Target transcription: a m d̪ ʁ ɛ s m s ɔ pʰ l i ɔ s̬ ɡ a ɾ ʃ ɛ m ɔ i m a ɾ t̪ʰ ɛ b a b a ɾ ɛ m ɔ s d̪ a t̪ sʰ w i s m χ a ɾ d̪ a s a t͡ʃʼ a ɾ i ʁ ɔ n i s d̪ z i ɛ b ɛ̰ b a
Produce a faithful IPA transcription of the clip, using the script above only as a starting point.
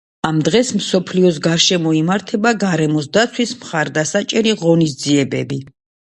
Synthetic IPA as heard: a m d̪ ʁ ɛ s m s ɔ pʰ l i ɔ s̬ ɡ a ɾ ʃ ɛ m ɔ i m a ɾ t̪ʰ ɛ b a ɡ a ɾ ɛ m ɔ s d̪ a t̪ sʰ w i s m χ a ɾ d̪ a s a t͡ʃʼ ɛ ɾ i ʁ ɔ n i s d̪ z i ɛ b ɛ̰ b i